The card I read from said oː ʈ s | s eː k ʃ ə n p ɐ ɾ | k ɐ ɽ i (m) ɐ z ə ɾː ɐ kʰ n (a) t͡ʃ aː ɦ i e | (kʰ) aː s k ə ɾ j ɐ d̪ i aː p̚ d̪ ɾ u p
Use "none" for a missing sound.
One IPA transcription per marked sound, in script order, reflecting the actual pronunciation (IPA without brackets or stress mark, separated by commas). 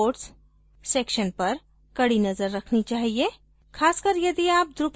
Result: n, i, kʰ